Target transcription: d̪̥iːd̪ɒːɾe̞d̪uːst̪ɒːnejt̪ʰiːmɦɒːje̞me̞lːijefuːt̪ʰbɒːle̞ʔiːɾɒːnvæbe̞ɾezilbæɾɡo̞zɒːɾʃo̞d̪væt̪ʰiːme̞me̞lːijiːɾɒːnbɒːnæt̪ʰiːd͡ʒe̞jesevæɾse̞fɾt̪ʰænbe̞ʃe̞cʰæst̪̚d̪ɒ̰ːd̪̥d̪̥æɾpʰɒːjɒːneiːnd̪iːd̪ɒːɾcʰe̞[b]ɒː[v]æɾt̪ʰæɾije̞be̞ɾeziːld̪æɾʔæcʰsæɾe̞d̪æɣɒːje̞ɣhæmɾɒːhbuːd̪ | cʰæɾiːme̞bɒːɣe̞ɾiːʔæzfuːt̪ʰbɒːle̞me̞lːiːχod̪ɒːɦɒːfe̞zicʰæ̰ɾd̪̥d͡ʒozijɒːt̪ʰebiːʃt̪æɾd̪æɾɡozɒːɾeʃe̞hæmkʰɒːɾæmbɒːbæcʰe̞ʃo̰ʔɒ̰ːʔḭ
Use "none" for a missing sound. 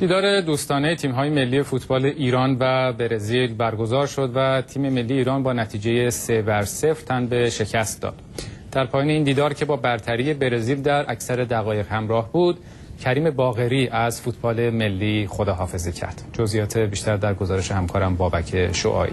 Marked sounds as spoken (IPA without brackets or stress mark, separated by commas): b, b